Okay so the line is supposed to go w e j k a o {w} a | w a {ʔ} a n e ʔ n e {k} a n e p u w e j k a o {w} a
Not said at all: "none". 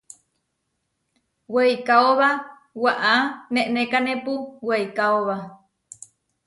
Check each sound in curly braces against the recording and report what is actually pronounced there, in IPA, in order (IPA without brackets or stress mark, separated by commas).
β, ʔ, k, β